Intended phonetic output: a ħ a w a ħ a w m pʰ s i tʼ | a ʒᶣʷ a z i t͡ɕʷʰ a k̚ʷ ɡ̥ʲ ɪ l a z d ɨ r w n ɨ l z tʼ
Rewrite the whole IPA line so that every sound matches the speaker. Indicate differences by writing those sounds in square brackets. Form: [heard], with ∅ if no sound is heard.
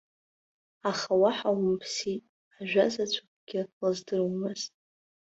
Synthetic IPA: a [χ] a w a ħ a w m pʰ s i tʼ | a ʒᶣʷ a z [a] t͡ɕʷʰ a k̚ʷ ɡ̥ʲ ɪ l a z d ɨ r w [m] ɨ [∅] z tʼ